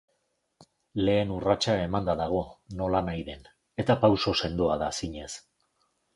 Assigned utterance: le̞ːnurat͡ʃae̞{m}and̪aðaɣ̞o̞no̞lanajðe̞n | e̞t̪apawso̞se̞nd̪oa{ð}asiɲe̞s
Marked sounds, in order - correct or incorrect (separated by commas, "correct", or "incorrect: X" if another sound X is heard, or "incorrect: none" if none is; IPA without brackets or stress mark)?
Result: correct, correct